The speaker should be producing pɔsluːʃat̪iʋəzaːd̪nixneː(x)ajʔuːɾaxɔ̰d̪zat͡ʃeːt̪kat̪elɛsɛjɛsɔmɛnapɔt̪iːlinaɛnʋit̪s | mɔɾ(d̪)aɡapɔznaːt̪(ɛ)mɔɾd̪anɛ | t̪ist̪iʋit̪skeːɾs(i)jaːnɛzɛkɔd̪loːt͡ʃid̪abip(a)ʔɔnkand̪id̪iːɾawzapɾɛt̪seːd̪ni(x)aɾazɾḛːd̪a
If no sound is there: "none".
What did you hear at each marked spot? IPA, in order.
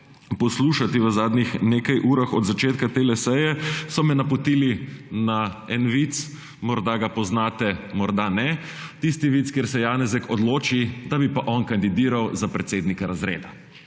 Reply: k, d̪, ɛ, ɛ, a, k

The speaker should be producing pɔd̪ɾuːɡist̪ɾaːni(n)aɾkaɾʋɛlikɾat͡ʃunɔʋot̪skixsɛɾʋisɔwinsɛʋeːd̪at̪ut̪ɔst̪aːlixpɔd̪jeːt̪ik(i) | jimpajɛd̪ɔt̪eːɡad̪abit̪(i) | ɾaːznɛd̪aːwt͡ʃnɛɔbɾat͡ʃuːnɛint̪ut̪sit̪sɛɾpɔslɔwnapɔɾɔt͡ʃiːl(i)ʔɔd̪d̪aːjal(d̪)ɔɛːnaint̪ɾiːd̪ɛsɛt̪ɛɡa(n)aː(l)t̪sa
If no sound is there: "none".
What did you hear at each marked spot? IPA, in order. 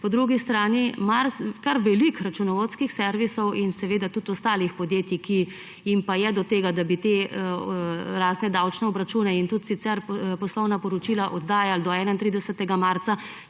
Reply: m, i, e, a, d̪, m, ɾ

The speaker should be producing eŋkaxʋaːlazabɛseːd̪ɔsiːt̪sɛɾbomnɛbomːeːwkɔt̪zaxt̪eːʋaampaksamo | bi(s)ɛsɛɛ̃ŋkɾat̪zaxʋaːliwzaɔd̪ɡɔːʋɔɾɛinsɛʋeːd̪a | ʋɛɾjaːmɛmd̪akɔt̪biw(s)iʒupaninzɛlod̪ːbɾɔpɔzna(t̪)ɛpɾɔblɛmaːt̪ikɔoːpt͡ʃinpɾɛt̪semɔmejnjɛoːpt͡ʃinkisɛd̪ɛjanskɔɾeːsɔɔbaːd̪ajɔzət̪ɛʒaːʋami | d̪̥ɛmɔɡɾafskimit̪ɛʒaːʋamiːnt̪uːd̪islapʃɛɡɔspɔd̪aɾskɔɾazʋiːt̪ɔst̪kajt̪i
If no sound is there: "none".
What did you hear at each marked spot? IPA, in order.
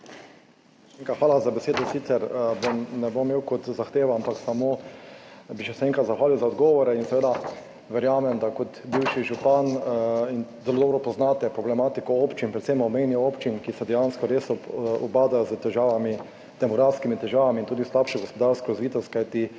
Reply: ʃ, ʃ, t̪

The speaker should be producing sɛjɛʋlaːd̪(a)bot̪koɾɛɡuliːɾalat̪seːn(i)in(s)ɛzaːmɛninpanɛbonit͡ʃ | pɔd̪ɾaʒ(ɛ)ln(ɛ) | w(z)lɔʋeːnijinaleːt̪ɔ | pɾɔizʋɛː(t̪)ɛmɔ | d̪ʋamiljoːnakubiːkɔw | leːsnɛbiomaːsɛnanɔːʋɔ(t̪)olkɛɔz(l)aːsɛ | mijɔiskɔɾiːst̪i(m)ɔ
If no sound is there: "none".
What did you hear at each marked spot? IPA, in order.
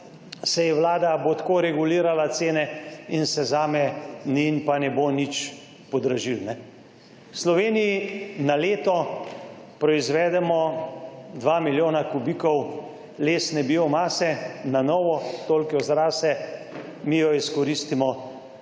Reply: a, ɛ, s, i, ɛ, s, d̪, t̪, ɾ, m

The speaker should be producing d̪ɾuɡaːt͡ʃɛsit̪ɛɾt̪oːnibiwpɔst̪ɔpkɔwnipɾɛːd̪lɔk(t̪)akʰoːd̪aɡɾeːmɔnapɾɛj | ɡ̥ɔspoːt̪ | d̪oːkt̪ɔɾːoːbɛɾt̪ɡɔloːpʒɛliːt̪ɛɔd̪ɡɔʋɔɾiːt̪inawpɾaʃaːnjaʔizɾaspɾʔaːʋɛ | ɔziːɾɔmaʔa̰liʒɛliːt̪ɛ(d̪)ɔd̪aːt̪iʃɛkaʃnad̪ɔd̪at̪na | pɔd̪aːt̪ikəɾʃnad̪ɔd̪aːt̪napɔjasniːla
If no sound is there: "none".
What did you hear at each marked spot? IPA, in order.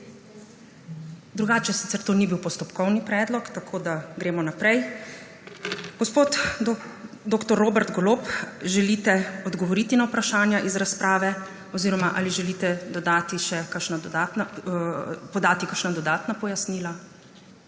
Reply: t̪, d̪

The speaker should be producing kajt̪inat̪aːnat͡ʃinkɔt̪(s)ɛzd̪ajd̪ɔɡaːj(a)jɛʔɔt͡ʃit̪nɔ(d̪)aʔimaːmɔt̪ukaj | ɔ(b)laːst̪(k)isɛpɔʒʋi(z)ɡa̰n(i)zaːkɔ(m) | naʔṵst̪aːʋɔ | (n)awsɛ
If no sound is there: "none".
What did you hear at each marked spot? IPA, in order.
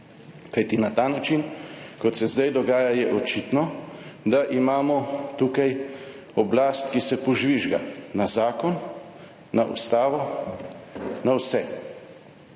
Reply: s, a, d̪, b, k, ʒ, a, n, n

